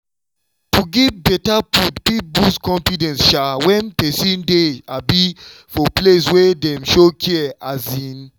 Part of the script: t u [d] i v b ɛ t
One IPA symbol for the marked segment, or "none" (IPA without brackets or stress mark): ɡ